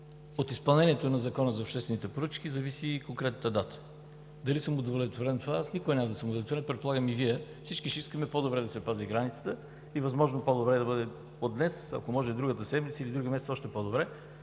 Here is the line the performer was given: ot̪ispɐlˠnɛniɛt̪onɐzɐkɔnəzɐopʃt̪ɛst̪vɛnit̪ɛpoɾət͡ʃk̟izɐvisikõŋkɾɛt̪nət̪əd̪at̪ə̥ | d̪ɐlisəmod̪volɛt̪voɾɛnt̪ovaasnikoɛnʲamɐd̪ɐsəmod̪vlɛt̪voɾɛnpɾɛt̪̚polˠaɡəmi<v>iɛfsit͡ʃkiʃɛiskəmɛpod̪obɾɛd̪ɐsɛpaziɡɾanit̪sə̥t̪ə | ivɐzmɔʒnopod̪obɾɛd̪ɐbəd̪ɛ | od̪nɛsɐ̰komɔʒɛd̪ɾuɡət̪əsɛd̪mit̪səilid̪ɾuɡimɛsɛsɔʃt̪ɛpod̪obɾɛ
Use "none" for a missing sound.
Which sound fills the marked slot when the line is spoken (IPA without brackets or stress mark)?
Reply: v